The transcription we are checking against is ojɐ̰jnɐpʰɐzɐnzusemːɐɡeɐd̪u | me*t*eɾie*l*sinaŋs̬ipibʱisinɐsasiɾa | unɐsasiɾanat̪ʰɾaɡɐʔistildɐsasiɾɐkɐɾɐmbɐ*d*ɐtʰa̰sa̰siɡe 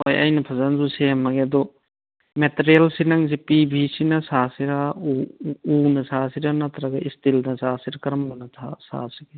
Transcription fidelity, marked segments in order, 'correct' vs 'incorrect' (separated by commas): correct, correct, incorrect